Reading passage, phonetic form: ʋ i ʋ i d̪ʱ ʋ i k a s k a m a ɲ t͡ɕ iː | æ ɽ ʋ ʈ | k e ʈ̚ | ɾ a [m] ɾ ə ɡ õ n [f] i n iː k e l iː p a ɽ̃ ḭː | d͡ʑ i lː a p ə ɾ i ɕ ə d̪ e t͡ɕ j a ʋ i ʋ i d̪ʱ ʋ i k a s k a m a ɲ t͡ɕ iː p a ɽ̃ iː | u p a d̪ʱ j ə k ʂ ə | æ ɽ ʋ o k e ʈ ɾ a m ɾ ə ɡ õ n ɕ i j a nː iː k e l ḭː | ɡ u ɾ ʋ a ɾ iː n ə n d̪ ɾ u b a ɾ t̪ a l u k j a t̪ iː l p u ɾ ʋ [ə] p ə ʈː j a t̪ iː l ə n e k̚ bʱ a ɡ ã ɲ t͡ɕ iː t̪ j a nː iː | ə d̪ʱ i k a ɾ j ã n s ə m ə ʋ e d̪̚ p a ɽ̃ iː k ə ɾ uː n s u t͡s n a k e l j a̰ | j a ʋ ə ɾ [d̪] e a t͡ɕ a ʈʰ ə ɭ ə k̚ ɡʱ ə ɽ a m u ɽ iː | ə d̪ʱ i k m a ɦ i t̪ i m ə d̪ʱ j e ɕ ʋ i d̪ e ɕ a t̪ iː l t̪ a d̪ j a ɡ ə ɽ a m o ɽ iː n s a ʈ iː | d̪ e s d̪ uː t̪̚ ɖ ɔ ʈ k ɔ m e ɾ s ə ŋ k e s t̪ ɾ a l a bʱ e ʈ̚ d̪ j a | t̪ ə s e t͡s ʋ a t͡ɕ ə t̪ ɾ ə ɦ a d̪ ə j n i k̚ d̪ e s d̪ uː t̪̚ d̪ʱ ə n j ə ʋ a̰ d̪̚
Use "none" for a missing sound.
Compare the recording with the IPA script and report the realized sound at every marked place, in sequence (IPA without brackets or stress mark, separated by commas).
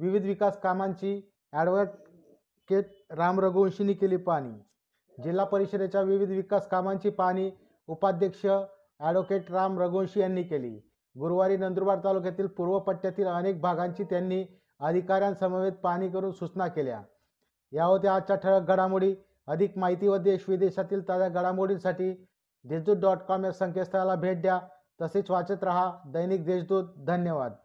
m, ɕ, ə, t̪